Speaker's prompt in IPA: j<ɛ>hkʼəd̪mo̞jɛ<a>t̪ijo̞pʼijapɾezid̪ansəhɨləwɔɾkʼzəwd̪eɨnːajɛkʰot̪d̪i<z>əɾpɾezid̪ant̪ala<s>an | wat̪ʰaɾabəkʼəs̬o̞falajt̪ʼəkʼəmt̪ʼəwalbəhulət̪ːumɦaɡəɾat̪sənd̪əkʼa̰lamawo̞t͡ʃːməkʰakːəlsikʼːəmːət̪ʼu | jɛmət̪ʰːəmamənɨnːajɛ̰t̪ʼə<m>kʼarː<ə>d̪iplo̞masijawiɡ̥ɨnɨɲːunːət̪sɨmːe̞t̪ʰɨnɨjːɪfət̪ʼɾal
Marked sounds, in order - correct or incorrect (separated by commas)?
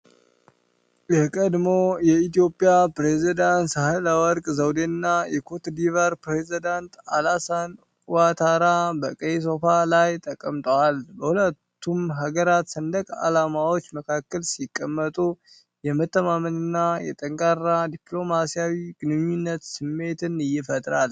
correct, incorrect, incorrect, correct, incorrect, incorrect